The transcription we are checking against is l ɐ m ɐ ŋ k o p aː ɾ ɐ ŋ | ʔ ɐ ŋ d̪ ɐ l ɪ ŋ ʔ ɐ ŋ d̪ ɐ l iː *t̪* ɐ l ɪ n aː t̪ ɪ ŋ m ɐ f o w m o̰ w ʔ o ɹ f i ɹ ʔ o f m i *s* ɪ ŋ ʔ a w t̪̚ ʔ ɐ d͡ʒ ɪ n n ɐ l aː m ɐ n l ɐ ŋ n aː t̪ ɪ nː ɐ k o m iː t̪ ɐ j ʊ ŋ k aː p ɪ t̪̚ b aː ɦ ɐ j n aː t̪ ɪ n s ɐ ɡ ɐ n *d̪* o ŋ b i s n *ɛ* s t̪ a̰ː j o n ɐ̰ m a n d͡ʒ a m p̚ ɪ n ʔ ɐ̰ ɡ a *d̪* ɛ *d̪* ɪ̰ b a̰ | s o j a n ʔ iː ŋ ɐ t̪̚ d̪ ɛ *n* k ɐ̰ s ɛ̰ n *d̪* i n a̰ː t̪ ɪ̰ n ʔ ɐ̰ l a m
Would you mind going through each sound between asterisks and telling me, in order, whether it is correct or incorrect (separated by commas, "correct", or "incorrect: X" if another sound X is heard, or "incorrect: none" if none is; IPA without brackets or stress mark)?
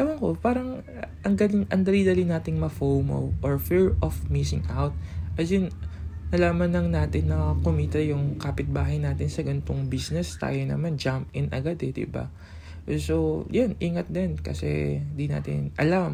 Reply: incorrect: d̪, correct, incorrect: t̪, correct, correct, correct, correct, correct